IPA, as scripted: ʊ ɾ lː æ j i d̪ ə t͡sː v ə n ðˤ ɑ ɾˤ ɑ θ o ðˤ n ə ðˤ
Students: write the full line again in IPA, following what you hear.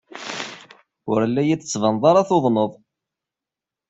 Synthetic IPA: ʊ ɾ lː æ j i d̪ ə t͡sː v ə n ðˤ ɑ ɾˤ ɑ θ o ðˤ n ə ðˤ

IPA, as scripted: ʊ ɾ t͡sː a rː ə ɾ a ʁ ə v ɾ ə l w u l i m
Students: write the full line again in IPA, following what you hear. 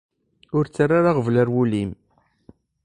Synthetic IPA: ʊ ɾ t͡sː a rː a ɾ a ʁ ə v l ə ɾ w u l i m

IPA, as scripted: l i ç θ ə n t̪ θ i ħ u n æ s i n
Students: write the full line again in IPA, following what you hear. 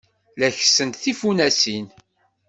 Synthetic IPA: l æ ç s ə n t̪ θ i f u n æ s i n

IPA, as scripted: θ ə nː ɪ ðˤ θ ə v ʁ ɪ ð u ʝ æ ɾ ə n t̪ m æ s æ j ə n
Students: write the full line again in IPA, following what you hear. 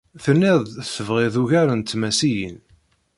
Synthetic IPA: θ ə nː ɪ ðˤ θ ə v ʁ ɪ ð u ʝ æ ɾ ə n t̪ m æ s i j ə n

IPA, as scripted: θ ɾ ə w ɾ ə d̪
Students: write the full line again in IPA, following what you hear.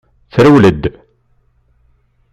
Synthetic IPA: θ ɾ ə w l ə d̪

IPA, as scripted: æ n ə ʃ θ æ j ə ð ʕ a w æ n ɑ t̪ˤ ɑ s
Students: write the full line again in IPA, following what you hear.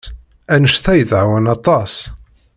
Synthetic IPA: æ n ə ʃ θ æ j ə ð ʕ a w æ n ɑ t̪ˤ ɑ s

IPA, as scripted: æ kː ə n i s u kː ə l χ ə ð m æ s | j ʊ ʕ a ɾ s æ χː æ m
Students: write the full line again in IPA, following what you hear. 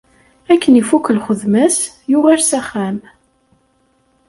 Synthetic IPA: æ kː ə n i f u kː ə l χ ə ð m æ s | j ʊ ʁ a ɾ s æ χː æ m

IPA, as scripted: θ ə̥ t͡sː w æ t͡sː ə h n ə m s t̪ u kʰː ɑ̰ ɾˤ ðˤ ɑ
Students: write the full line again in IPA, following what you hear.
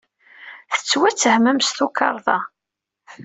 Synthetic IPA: θ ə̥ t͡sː w æ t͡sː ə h m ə m s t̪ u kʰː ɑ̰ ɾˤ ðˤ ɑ

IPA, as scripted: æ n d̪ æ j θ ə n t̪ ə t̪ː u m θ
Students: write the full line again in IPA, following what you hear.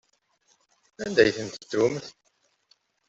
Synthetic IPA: æ n d̪ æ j θ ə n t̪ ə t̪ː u m θ

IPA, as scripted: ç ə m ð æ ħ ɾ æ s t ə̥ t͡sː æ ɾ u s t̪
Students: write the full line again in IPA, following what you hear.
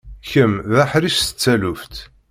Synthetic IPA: ç ə m ð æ ħ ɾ i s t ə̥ t͡sː æ l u f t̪

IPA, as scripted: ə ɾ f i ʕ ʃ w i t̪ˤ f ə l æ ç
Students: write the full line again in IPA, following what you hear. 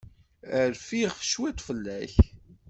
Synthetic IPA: ə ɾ f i ʁ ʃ w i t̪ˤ f ə lː æ ç

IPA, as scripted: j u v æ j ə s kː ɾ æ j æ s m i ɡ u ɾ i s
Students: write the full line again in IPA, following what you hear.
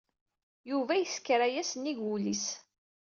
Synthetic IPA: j u v æ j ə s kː ɾ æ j æ s n i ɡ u l i s

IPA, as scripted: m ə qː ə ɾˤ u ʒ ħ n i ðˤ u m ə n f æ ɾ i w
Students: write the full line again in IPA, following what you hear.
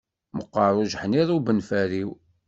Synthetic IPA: m ə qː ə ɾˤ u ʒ ħ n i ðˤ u b ə n f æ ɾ i w

